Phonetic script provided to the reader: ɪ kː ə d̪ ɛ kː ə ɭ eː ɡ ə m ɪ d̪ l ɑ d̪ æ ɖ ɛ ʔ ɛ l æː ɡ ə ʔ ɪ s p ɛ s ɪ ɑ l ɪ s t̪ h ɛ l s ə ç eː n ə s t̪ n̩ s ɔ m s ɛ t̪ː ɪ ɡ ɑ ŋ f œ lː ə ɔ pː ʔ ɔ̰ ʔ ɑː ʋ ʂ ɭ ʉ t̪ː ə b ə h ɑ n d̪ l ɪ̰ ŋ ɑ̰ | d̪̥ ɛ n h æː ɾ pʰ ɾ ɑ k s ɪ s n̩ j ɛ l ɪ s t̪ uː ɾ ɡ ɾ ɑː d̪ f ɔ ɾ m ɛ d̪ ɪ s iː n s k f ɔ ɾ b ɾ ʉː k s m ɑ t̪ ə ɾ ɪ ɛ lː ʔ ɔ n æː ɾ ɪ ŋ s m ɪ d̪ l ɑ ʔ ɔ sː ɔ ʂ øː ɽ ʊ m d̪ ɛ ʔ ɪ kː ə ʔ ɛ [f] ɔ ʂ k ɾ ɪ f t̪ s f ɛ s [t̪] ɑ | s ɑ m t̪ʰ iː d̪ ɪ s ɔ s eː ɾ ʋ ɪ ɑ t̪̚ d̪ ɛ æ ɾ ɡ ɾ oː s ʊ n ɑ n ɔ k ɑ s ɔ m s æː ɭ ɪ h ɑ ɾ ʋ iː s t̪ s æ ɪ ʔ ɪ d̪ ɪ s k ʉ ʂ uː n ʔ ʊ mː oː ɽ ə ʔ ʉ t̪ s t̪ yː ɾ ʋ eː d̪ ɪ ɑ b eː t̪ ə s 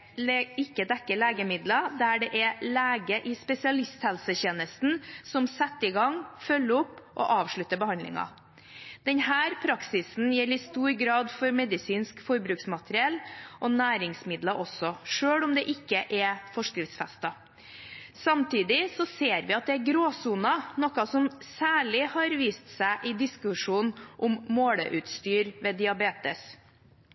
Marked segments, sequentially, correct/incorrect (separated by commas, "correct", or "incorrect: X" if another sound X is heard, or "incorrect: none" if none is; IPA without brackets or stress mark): correct, correct